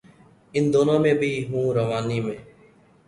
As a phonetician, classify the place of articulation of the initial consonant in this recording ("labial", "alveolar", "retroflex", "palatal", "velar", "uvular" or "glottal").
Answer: alveolar